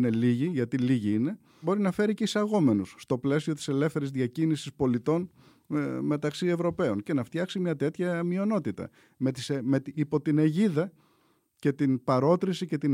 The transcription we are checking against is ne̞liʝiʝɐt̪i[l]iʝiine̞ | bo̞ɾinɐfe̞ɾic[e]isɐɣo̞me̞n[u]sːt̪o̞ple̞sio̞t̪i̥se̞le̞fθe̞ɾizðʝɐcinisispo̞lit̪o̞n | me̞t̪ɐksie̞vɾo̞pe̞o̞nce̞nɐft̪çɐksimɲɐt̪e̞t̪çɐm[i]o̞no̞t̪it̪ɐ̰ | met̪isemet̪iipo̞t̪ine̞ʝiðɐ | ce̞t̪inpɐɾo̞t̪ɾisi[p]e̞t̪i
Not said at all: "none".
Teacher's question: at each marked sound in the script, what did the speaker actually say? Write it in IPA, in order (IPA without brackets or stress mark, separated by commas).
l, e, u, i, c